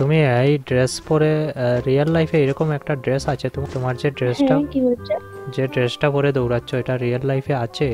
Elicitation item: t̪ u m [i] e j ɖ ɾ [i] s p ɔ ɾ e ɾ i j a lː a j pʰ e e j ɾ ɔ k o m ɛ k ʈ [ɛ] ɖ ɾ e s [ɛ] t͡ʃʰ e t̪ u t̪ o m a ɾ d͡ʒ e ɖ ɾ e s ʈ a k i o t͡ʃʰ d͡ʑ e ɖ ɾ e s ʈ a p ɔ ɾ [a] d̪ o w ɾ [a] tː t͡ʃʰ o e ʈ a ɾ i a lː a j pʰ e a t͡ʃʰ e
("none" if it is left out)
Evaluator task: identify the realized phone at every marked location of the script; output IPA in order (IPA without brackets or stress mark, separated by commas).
i, e, a, a, e, a